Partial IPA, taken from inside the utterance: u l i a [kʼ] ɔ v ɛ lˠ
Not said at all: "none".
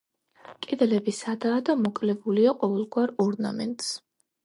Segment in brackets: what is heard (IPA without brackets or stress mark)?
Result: qʼ